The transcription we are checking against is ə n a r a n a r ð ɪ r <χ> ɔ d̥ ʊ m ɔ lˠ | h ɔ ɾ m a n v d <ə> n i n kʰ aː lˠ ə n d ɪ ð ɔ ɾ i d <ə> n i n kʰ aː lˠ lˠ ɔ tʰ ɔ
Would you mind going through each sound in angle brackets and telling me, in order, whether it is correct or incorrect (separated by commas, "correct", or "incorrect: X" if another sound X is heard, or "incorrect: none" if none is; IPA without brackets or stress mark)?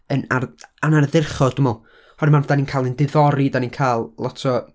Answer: correct, incorrect: a, incorrect: a